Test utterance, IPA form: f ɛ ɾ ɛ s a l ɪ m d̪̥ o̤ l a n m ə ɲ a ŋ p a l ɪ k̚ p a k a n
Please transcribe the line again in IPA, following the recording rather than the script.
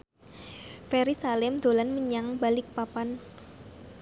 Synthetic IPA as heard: f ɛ ɾ i s a l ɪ m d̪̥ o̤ l a n m ə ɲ a ŋ b a l ɪ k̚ p a p a n

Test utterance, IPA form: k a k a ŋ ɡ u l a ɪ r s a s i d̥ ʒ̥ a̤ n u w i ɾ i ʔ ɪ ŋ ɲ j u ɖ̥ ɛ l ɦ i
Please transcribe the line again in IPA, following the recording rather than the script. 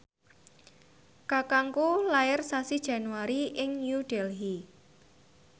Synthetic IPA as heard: k a k a ŋ k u l a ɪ r s a s i d̥ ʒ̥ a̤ n u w a ɾ i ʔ ɪ ŋ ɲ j u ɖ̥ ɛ l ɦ i

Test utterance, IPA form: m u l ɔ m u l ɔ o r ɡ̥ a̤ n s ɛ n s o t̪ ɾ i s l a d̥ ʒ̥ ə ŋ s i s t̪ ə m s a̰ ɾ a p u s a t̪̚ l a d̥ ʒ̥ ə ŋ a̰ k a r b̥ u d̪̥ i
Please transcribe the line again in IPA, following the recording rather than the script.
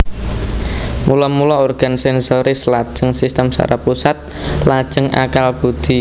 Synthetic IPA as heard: m u l ɔ m u l ɔ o r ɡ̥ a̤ n s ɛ n s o ɾ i s l a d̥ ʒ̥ ə ŋ s i s t̪ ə m s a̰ ɾ a p u s a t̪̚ l a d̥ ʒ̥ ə ŋ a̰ k a l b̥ u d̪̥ i

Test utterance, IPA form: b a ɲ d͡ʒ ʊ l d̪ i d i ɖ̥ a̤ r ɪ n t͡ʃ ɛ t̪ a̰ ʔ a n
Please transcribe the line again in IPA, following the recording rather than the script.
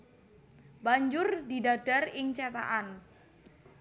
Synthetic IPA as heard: b a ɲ d͡ʒ ʊ r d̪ i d a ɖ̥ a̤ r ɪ ŋ t͡ʃ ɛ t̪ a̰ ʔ a n

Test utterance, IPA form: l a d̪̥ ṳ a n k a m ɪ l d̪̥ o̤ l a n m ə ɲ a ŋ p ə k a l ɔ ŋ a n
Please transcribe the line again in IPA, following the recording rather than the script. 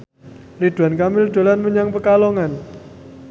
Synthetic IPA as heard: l i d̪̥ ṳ a n k a m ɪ l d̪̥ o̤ l a n m ə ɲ a ŋ p ə k a l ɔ ŋ a n

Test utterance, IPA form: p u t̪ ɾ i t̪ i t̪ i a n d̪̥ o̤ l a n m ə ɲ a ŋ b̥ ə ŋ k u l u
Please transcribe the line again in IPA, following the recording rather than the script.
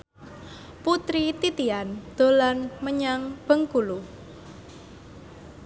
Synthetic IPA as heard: p u t̪ ɾ i t̪ i t̪ i a n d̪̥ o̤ l a n m ə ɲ a ŋ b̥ ə ŋ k u l u

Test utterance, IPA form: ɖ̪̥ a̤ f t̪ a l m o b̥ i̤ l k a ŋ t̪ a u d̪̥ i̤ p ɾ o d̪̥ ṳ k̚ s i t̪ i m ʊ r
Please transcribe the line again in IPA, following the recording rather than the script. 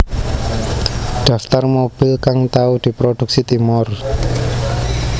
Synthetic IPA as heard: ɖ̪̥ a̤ f t̪ a r m o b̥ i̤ l k a ŋ t̪ a u d̪̥ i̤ p ɾ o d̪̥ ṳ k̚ s i t̪ i m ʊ r

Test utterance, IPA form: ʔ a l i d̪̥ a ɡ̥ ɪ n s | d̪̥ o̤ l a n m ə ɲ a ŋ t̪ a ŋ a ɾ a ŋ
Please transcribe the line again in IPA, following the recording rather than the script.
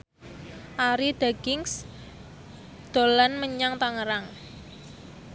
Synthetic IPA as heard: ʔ a ɾ i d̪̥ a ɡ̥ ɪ ŋ s | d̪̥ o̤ l a n m ə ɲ a ŋ t̪ a ŋ ə ɾ a ŋ

